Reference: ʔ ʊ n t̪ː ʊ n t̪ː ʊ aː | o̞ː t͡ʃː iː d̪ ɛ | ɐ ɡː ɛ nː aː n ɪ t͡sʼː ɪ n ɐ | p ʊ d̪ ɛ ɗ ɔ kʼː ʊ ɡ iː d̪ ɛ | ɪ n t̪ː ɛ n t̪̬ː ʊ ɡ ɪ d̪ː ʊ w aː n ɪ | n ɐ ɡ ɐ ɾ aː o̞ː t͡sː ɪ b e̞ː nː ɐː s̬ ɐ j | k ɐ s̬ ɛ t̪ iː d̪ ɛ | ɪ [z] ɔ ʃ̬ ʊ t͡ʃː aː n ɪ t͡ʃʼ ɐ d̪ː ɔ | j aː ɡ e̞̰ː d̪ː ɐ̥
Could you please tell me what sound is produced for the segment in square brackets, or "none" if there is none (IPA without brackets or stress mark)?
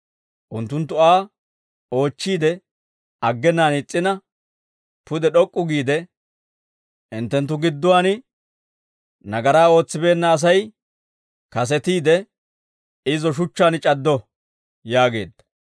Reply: z